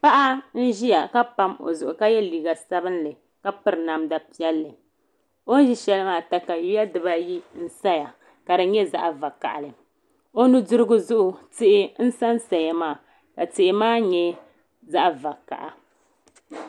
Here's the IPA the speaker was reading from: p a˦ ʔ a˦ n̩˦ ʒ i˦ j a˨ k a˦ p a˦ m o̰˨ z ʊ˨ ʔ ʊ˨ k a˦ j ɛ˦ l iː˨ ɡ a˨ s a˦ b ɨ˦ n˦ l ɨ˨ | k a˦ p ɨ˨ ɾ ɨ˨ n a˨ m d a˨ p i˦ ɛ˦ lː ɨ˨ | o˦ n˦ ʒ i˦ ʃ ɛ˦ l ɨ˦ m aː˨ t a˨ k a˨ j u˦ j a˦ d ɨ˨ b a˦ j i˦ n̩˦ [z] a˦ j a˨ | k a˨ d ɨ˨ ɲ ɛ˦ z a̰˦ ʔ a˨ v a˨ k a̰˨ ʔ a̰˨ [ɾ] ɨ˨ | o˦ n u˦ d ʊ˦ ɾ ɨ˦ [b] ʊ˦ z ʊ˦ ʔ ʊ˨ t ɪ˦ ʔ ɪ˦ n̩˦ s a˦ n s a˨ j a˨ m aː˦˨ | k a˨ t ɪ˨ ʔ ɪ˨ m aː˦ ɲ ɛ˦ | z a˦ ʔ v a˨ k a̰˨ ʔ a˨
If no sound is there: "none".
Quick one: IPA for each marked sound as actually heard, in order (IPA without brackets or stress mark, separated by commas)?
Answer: s, l, ɡ